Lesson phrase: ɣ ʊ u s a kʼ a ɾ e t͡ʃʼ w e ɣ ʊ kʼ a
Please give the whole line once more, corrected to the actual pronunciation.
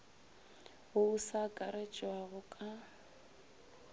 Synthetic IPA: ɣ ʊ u s a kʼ a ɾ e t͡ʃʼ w a ɣ ʊ kʼ a

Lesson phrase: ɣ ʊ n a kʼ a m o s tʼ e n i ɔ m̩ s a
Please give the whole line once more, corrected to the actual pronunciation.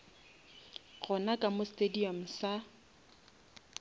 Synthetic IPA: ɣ ʊ n a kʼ a m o s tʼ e d i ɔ m̩ s a

